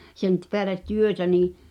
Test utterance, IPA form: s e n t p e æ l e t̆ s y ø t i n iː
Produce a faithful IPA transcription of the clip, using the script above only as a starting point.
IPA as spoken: s e n t p e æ l e t̆ t y ø t æ n iː